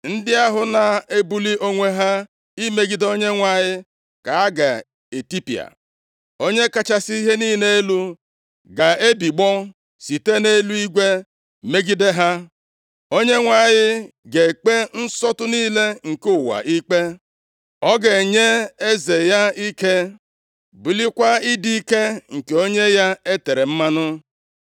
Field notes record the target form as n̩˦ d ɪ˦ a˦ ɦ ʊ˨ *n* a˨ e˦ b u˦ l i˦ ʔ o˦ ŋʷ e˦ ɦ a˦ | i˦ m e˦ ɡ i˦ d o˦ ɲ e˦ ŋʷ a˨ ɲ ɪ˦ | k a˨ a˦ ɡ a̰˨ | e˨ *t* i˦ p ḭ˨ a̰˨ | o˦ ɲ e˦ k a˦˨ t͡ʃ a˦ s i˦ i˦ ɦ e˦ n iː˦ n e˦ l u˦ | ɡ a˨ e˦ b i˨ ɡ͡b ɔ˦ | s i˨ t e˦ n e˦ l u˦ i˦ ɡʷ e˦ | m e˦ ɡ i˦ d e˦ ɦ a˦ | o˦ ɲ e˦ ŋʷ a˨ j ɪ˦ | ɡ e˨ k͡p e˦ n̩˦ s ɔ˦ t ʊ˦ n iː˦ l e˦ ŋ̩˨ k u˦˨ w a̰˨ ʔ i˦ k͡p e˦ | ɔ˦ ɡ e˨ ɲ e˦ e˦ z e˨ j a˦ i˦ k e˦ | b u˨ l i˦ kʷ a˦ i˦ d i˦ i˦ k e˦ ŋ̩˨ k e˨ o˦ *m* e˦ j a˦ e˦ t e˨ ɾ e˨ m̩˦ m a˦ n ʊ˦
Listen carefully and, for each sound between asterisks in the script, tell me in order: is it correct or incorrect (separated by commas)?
correct, correct, incorrect